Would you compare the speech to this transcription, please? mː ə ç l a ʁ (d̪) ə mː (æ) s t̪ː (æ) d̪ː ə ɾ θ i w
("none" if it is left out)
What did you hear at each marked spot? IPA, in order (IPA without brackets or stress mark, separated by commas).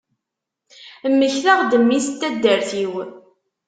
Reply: d̪, i, æ